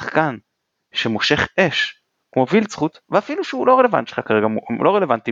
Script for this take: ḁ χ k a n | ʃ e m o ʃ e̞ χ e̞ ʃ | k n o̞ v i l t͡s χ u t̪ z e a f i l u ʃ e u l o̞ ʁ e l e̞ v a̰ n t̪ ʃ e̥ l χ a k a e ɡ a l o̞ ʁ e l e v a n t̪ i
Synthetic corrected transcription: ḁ χ k a n | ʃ e m o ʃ e̞ χ e̞ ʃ | k m o̞ v i l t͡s χ u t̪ v e a f i l u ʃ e u l o̞ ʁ e l e̞ v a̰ n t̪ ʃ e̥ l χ a k a e ɡ a l o̞ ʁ e l e v a n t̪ i